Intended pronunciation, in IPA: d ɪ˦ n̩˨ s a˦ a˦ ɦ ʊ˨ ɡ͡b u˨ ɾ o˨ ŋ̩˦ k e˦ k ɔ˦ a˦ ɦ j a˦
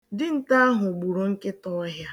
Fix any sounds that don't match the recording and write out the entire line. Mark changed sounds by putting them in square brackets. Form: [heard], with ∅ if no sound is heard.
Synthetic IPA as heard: d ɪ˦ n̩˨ [t] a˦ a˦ ɦ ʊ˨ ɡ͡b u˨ ɾ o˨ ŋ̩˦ k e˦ [t] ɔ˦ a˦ ɦ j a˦

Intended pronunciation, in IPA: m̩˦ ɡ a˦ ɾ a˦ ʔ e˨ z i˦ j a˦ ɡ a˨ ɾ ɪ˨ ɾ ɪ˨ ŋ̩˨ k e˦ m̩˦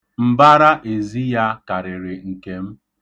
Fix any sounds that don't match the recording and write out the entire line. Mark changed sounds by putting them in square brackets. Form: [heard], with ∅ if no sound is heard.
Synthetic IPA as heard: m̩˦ [b] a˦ ɾ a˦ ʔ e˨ z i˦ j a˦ [k] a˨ ɾ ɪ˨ ɾ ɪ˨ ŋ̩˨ k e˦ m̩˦

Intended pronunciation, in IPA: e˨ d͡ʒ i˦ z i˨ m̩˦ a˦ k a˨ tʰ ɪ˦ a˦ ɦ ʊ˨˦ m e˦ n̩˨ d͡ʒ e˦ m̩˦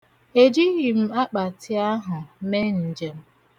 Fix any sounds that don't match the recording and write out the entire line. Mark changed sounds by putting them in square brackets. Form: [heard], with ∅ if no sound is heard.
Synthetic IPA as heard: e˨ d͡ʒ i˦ [ɣ] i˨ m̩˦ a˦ [k͡p] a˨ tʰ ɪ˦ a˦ ɦ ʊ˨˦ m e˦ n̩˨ d͡ʒ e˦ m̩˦

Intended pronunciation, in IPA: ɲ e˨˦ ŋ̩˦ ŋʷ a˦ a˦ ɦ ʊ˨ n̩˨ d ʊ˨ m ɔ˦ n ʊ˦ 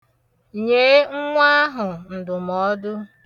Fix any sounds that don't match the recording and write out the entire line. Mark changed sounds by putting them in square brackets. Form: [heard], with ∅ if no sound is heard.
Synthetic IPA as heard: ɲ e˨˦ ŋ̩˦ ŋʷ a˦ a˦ ɦ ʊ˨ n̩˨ d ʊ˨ m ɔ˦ [d] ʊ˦

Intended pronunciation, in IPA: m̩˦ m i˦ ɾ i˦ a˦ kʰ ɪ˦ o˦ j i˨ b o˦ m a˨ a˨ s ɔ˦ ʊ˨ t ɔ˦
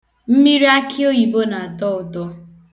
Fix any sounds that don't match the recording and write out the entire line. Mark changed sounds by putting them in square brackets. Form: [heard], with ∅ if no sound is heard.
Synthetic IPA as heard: m̩˦ m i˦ ɾ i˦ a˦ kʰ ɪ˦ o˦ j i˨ b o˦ [n] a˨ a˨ [t] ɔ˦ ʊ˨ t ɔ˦

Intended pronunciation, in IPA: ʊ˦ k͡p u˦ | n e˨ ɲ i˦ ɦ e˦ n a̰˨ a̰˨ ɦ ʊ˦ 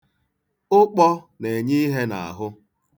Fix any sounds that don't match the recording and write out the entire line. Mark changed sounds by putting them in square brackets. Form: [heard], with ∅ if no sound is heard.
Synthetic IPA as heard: ʊ˦ k͡p [ɔ˦] | n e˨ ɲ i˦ ɦ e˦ n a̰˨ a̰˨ ɦ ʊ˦

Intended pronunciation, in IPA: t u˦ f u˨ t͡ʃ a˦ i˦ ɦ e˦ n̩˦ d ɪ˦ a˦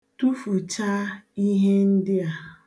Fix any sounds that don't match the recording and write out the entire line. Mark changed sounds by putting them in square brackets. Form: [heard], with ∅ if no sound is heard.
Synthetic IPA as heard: t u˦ f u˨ t͡ʃ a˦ i˦ ɦ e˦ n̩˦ d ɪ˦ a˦

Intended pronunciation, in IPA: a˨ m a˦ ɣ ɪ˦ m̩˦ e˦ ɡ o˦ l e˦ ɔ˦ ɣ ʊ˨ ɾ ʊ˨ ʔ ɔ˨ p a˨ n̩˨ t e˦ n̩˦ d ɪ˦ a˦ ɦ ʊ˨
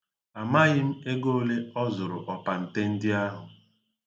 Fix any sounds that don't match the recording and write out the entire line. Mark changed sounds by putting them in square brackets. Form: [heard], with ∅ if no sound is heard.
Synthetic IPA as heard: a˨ m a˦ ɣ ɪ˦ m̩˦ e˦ ɡ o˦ l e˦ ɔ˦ [z] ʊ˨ ɾ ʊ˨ ʔ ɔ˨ p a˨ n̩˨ t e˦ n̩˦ d ɪ˦ a˦ ɦ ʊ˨

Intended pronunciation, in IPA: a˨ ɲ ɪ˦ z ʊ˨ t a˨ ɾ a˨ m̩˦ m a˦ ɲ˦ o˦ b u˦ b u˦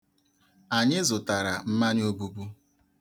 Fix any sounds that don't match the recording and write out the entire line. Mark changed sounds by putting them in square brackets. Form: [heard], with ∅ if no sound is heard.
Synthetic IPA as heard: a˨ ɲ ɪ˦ z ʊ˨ t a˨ ɾ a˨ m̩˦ m a˦ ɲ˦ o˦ b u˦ b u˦

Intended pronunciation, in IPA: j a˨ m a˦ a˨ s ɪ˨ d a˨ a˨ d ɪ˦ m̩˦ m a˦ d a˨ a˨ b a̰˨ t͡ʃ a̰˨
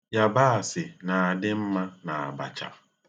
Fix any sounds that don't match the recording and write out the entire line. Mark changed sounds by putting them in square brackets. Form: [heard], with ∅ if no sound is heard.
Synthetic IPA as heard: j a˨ [b] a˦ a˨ s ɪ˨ [n] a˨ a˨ d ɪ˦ m̩˦ m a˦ [n] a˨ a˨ b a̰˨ t͡ʃ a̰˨

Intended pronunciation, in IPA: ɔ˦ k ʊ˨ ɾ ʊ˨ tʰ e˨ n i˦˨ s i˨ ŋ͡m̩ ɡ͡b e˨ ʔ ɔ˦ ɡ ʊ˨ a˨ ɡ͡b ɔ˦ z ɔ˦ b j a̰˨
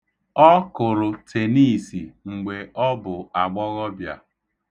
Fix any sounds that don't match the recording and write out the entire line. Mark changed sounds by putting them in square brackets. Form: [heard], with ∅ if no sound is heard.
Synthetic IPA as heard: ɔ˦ k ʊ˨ ɾ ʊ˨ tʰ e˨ n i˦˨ s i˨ ŋ͡m̩ ɡ͡b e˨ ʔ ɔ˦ [b] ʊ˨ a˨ ɡ͡b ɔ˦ [ɣ] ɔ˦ b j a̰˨

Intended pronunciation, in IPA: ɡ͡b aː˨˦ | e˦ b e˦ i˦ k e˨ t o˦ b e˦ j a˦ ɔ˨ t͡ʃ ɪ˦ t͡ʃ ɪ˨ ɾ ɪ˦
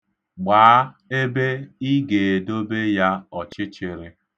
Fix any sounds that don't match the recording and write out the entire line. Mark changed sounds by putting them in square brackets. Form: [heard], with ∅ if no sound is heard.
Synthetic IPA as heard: ɡ͡b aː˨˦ | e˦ b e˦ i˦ [ɡ] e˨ [d] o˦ b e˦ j a˦ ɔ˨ t͡ʃ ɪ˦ t͡ʃ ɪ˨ ɾ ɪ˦

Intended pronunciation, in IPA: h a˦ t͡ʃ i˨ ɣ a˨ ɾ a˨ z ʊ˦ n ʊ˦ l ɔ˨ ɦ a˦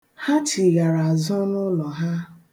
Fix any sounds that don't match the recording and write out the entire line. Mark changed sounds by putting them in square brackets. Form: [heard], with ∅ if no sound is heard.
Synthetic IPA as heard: h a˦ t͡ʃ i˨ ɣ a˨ ɾ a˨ z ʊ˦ n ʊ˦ l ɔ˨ ɦ a˦

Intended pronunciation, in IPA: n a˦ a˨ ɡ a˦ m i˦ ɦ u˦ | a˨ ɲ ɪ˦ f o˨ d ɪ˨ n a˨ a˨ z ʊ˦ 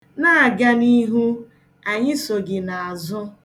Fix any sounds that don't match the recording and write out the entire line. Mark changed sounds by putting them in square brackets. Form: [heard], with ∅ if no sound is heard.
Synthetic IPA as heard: n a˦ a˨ ɡ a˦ [n] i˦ ɦ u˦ | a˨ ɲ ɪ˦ [s] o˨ [ɡ] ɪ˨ n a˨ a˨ z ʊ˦

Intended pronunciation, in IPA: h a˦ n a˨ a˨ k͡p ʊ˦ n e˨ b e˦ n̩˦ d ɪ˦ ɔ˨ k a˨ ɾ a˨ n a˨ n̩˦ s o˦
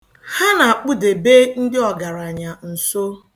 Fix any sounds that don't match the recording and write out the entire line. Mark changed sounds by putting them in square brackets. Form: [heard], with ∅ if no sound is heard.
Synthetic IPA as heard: h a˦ n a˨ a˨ k͡p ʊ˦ [d] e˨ b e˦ n̩˦ d ɪ˦ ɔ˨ [ɡ] a˨ ɾ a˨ [ɲ] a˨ [n̩˨] s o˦

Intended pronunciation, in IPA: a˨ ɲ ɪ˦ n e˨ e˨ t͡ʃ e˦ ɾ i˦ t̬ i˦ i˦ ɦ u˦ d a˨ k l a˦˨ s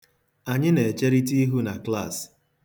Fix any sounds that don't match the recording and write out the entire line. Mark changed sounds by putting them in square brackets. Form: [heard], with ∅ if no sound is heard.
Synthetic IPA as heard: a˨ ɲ ɪ˦ n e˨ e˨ t͡ʃ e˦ ɾ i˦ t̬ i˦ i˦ ɦ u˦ [n] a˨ k l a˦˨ s

